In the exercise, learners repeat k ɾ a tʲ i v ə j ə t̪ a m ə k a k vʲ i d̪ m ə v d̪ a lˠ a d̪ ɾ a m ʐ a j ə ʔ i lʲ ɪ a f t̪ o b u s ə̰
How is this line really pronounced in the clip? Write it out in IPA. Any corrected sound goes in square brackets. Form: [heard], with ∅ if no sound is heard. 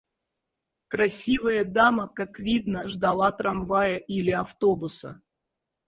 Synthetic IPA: k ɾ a [sʲ] i v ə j ə [d̪] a m ə k a k vʲ i d̪ [n] ə [ʐ] d̪ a lˠ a [t̪] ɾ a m [v] a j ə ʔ i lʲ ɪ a f t̪ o b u s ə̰

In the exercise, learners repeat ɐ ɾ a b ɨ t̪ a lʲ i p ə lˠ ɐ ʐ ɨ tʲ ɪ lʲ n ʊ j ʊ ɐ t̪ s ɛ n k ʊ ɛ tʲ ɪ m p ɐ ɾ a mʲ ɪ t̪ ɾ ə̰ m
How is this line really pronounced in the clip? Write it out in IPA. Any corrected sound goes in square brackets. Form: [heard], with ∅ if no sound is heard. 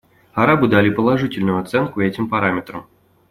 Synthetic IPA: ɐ ɾ a b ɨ [d̪] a lʲ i p ə lˠ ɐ ʐ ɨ tʲ ɪ lʲ n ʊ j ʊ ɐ t̪ s ɛ n k ʊ ɛ tʲ ɪ m p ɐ ɾ a mʲ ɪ t̪ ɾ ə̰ m

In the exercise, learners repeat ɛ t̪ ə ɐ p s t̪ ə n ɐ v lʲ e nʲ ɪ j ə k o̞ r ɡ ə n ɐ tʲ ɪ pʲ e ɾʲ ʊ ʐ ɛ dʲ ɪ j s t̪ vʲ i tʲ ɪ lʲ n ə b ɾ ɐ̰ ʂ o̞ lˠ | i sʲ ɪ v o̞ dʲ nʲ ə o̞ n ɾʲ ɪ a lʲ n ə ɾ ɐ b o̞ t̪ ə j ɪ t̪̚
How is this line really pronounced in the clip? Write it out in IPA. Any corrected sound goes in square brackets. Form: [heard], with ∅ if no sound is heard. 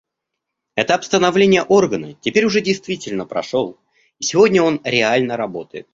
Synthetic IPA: ɛ t̪ ə ɐ p s t̪ ə n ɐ v lʲ e nʲ ɪ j ə [ʔ] o̞ r ɡ ə n [ə] tʲ ɪ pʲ e ɾʲ ʊ ʐ ɛ dʲ ɪ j s t̪ vʲ i tʲ ɪ lʲ n ə [p] ɾ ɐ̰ ʂ o̞ lˠ | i sʲ ɪ v o̞ dʲ nʲ ə o̞ n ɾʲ ɪ a lʲ n ə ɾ ɐ b o̞ t̪ ə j ɪ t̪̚

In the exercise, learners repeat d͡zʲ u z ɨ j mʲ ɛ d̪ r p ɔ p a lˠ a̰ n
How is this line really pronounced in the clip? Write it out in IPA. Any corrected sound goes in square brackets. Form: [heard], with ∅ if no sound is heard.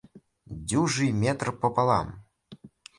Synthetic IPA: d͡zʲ u [ʐ] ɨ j mʲ ɛ [t̪] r p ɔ p a lˠ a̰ [m]

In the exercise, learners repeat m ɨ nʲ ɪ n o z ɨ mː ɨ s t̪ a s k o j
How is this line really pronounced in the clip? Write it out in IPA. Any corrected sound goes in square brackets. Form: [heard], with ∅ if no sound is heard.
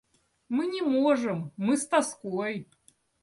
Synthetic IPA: m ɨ nʲ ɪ [m] o [ʐ] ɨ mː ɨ s t̪ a s k o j

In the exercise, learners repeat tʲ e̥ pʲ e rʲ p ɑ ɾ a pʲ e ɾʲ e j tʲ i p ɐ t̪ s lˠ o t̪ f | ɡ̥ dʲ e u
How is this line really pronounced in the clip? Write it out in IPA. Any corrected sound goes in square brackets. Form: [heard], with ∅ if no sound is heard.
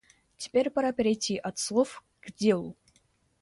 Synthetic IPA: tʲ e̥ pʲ e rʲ p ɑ ɾ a pʲ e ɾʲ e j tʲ i [ʔ] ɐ t̪ s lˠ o [∅] f | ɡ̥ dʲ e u

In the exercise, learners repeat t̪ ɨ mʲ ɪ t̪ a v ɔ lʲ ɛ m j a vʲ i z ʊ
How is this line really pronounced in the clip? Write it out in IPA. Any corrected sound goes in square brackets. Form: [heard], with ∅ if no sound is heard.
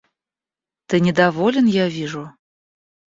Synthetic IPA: t̪ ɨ [nʲ] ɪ [d̪] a v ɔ lʲ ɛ [n] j a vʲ i [ʐ] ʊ

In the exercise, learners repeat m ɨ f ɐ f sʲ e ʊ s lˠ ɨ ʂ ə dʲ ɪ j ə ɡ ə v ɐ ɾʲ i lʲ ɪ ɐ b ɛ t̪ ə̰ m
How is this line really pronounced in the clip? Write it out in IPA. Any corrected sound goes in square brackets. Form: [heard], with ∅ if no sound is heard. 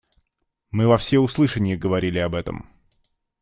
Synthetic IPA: m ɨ [v] ɐ f sʲ e ʊ s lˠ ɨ ʂ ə [nʲ] ɪ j ə ɡ ə v ɐ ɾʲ i lʲ ɪ ɐ b ɛ t̪ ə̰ m

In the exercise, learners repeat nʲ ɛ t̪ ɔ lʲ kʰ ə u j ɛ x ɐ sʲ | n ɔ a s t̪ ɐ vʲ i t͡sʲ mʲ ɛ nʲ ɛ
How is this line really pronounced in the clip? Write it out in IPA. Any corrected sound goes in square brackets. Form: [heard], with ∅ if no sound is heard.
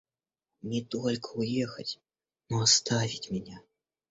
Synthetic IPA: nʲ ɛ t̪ ɔ lʲ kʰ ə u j ɛ x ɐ [t͡sʲ] | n ɔ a s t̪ [a] vʲ i t͡sʲ mʲ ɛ nʲ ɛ

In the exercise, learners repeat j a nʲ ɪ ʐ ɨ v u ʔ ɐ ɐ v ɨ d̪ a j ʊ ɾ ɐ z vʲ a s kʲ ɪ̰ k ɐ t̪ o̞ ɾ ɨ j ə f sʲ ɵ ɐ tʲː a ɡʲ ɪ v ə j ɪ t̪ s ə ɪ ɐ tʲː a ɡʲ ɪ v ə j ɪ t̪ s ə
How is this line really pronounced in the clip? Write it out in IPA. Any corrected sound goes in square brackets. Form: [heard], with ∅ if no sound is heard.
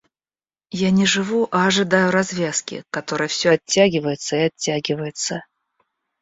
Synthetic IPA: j a nʲ ɪ ʐ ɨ v u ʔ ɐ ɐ [ʐ] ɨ d̪ a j ʊ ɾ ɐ z vʲ a s kʲ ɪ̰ k ɐ t̪ o̞ ɾ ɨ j ə f sʲ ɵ ɐ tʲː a ɡʲ ɪ v ə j ɪ t̪ s ə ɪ ɐ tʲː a ɡʲ ɪ v ə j ɪ t̪ s ə

